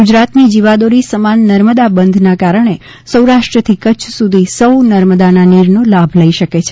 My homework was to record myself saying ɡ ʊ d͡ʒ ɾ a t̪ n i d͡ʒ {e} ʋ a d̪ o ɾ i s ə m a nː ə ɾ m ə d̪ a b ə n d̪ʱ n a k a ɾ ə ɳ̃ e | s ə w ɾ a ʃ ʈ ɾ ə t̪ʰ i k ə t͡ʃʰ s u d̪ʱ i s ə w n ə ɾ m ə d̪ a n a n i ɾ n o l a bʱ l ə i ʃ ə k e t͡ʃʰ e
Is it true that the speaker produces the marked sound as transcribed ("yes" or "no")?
no